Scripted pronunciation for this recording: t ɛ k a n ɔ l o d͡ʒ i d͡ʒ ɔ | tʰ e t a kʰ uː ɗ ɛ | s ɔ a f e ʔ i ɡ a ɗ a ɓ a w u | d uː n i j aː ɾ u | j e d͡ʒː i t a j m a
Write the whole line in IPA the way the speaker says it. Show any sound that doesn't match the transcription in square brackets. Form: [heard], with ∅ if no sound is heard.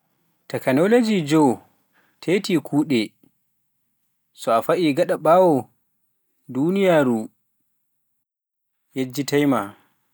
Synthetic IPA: t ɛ k a n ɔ l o d͡ʒ i d͡ʒ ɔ | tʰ e t [i] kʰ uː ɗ ɛ | s ɔ a f [a] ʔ i ɡ a ɗ a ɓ a w [ɔ] | d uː n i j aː ɾ u | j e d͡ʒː i t a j m a